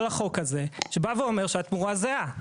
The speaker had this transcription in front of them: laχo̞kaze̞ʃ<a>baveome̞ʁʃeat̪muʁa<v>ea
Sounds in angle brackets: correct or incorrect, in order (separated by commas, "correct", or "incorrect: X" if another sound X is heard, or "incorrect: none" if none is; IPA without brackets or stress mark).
incorrect: e, incorrect: z